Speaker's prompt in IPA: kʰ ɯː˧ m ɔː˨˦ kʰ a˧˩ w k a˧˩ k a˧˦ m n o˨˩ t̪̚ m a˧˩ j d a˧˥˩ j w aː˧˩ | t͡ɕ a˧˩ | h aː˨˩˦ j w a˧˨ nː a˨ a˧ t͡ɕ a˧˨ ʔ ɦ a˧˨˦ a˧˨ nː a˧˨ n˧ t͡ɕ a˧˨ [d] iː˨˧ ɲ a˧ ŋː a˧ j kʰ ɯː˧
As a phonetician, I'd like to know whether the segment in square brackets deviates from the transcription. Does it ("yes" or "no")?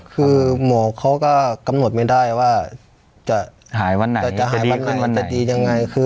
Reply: no